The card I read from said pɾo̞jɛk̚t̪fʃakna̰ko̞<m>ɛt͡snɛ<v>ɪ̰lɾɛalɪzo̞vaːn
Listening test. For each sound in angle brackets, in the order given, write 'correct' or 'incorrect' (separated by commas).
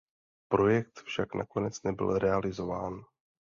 incorrect, incorrect